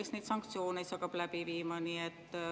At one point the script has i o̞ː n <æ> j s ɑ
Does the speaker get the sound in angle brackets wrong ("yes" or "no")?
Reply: yes